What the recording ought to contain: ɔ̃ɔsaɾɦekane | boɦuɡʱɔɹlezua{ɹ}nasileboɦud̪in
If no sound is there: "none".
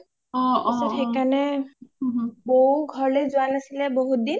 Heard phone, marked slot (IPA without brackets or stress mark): none